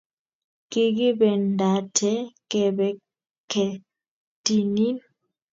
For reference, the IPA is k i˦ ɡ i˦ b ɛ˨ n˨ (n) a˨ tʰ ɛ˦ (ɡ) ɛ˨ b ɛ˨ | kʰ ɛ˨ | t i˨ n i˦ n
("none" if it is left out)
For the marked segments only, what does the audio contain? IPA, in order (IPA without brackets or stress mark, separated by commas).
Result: d, k